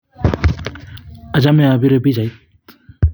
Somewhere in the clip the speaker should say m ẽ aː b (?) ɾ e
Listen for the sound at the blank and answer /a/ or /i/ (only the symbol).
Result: i